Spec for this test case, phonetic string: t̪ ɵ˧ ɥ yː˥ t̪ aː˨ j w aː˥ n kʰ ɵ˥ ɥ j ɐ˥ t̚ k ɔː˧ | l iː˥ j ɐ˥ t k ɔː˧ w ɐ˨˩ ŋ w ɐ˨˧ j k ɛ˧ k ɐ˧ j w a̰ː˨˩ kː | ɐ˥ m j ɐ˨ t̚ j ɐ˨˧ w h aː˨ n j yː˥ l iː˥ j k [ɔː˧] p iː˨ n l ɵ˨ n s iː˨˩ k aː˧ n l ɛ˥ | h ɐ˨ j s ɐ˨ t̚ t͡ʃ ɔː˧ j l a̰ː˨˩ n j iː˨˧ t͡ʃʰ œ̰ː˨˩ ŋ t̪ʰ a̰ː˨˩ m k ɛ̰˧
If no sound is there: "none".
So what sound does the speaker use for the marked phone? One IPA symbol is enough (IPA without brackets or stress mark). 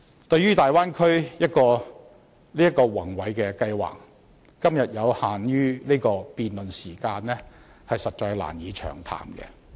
ɔː˧